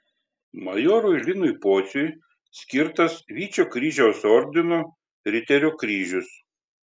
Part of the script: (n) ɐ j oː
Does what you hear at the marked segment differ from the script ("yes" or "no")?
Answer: yes